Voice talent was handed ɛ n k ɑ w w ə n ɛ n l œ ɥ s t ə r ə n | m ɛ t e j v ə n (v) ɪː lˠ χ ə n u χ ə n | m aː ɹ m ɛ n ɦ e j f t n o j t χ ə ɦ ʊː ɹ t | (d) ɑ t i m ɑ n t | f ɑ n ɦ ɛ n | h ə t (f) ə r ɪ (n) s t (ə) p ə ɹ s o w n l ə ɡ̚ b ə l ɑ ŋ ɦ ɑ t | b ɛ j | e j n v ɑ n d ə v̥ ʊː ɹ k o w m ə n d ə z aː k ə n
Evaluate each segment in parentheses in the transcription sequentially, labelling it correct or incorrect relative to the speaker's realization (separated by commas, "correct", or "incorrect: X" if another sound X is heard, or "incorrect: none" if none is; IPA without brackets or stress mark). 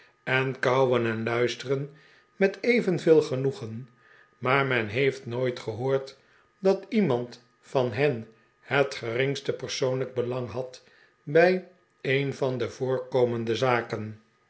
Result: correct, correct, incorrect: χ, incorrect: ŋ, correct